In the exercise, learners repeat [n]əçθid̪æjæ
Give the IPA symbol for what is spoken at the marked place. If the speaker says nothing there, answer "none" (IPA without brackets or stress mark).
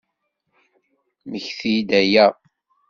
m